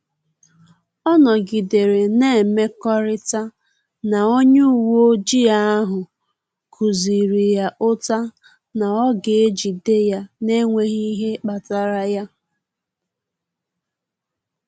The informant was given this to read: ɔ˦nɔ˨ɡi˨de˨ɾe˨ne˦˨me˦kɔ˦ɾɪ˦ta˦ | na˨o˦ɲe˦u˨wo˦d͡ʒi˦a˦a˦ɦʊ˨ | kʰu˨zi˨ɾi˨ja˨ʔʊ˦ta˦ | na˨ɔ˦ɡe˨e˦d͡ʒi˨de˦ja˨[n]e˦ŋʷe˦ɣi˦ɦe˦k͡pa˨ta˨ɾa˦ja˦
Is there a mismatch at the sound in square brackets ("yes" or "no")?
no